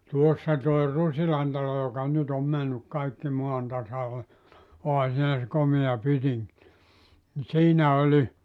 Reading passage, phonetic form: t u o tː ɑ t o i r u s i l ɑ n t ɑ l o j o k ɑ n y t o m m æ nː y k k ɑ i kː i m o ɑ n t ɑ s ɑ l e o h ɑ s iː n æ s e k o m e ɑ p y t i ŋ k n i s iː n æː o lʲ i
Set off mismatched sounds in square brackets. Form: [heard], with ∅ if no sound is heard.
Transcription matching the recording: t u o [sː] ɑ t o i r u s i l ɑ n t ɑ l o j o k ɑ n y t o m m æ nː y k k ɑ i kː i m o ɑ n t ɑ s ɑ l e o h ɑ s iː n æ s e k o m e ɑ p y t i ŋ k n i s iː n [æ] o lʲ i